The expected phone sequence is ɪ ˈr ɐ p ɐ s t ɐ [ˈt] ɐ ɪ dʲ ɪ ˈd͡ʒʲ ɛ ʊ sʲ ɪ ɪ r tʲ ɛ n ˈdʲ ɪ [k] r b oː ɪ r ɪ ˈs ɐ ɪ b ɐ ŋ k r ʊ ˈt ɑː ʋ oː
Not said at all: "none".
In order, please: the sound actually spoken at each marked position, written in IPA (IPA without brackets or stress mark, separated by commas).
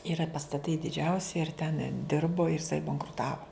t, none